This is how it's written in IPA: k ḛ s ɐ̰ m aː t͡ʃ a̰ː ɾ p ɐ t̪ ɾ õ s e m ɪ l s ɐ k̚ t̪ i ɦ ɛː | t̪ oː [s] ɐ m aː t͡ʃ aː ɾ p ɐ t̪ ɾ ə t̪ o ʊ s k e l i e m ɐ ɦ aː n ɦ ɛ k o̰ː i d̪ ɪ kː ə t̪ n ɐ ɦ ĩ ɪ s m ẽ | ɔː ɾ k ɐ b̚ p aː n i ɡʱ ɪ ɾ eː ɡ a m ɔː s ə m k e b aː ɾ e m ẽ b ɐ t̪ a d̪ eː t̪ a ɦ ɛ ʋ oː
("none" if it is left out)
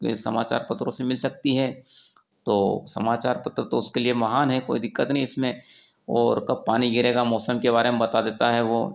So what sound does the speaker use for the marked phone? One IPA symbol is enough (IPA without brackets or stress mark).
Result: s